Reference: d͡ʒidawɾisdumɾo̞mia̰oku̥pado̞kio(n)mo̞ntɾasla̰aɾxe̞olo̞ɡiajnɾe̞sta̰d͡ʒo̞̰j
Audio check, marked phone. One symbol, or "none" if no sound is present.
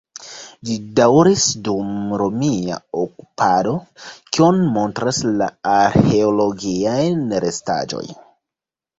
n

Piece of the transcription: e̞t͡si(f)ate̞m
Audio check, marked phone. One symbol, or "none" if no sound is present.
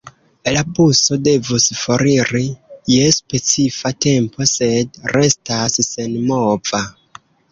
f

